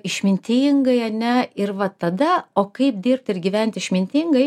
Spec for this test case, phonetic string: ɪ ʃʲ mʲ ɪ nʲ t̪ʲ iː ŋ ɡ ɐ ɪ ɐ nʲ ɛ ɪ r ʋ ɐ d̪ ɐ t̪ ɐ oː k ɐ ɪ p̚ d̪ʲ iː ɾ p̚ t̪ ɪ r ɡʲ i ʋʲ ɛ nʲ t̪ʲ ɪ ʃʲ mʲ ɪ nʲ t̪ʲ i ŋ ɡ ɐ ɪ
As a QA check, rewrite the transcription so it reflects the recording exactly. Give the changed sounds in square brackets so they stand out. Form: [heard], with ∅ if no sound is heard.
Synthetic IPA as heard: ɪ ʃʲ mʲ ɪ nʲ t̪ʲ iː ŋ ɡ ɐ ɪ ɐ nʲ ɛ ɪ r ʋ ɐ [t̪] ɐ [d̪] ɐ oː k ɐ ɪ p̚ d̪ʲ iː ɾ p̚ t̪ ɪ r ɡʲ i ʋʲ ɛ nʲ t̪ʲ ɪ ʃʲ mʲ ɪ nʲ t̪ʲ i ŋ ɡ ɐ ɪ